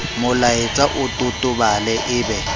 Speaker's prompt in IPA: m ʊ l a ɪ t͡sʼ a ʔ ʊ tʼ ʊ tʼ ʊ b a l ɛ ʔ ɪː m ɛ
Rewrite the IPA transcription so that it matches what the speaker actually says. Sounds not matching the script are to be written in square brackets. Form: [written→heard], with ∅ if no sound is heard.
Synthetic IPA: m ʊ l a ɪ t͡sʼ a ʔ ʊ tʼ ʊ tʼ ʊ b a l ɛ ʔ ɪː [m→b] ɛ